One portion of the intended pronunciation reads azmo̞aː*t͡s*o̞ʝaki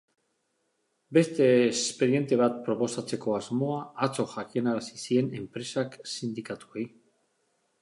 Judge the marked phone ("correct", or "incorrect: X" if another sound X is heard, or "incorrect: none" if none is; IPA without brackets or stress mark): correct